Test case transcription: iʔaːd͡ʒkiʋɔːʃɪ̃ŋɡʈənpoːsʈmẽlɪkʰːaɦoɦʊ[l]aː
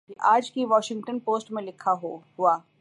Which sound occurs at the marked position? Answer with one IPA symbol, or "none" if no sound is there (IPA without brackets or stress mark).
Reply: none